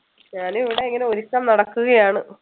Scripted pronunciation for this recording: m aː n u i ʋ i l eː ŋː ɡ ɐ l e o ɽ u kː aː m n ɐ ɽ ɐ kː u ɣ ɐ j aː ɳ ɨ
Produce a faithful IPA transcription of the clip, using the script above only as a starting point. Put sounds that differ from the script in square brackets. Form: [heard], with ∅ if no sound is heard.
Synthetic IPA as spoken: [ɲ] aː n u i ʋ i [ɽ] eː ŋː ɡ ɐ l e o [ɾ] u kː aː m n ɐ ɽ ɐ kː u ɣ ɐ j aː ɳ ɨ

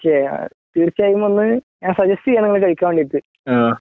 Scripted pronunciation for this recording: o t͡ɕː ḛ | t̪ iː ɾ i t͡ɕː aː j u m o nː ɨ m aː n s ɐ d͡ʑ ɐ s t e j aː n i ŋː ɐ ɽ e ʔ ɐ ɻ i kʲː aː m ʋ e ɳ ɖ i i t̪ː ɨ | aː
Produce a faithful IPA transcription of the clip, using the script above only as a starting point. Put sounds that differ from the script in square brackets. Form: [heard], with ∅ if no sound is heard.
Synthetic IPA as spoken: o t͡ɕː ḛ | t̪ iː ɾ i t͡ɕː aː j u m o nː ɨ [ɲ] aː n s ɐ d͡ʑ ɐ s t [i] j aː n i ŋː ɐ [ɭ] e [k] ɐ ɻ i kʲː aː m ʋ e ɳ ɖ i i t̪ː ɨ | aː

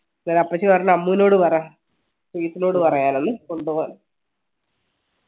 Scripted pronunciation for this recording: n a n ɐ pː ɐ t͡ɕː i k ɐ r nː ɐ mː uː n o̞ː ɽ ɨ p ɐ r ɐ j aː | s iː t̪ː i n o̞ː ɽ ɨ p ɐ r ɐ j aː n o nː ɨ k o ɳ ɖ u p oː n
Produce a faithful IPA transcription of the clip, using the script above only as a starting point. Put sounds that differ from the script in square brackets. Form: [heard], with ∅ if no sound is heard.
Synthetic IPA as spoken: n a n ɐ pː ɐ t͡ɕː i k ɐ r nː ɐ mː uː n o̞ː ɽ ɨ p ɐ r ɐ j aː | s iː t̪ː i n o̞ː ɽ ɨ p ɐ r ɐ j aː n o nː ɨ k o ɳ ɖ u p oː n

